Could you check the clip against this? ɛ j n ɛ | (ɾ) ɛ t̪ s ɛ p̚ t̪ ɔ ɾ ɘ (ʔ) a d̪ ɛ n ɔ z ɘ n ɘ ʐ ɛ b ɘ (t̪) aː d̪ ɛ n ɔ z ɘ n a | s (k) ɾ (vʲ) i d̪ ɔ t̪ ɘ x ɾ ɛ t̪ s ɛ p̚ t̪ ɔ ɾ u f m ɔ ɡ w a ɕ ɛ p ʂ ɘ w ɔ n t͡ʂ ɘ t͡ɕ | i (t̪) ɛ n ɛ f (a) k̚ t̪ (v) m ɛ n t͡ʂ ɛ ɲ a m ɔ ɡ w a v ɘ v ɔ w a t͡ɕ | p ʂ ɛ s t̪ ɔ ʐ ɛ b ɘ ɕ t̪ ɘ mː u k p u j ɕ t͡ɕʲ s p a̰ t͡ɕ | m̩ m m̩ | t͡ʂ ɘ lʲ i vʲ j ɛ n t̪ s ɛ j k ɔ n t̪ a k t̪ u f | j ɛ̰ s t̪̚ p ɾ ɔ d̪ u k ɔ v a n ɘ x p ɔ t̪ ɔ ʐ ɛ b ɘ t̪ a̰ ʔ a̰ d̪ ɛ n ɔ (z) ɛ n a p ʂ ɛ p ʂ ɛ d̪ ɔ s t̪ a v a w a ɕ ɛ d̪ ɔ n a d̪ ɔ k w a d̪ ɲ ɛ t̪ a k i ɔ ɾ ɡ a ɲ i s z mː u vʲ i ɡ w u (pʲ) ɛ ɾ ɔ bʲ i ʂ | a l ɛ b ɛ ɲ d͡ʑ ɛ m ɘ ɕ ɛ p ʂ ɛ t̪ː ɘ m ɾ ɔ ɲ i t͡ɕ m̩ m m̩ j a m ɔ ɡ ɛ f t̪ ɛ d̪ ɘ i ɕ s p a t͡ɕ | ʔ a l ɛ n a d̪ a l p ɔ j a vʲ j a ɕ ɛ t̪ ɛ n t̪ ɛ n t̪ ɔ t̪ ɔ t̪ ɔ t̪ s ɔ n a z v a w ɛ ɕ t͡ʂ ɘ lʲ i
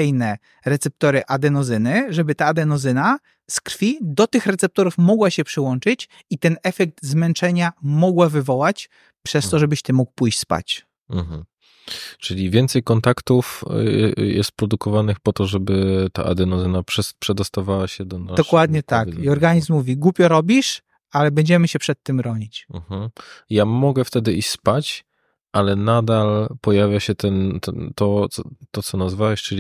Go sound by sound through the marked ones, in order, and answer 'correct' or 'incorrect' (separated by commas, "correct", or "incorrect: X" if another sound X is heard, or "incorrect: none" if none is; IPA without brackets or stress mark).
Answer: correct, correct, correct, correct, incorrect: fʲ, correct, incorrect: ɛ, incorrect: z, correct, correct